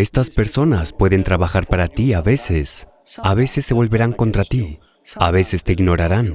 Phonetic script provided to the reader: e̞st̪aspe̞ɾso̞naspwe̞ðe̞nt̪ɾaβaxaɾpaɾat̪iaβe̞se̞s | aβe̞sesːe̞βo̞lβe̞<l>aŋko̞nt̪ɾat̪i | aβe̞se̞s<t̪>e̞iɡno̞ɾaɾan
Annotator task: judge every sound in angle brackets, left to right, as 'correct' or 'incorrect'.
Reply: incorrect: ɾ, correct

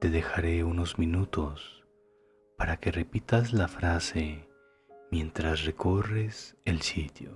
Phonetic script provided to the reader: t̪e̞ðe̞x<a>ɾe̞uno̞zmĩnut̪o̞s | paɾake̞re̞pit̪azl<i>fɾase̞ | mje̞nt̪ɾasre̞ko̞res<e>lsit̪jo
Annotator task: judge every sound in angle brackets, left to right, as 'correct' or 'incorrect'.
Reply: correct, incorrect: a, correct

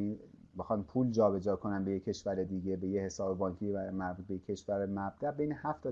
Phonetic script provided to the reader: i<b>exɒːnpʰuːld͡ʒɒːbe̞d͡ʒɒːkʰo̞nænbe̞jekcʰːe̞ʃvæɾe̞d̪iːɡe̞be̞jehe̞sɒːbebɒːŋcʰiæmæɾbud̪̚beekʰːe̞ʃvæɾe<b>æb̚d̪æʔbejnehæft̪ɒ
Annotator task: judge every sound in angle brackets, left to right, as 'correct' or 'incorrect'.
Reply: correct, incorrect: m

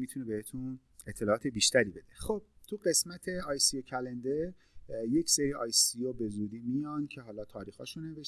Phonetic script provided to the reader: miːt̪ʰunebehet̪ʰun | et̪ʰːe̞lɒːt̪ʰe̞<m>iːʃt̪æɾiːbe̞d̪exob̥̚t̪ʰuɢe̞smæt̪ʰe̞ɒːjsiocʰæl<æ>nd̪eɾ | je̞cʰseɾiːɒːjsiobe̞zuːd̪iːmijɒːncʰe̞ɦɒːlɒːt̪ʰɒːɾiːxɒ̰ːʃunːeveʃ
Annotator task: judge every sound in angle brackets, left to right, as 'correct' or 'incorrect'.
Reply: incorrect: b, incorrect: e

